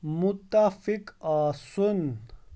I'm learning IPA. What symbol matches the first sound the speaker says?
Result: m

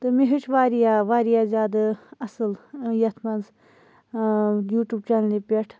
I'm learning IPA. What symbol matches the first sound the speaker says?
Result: t̪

